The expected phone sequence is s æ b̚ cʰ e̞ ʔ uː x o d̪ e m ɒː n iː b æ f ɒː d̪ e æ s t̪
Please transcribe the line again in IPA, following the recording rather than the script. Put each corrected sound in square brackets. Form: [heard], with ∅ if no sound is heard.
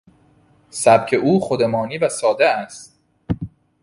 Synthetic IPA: s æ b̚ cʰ e̞ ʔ uː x o d̪ e m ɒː n iː [v] æ [s] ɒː d̪ e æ s t̪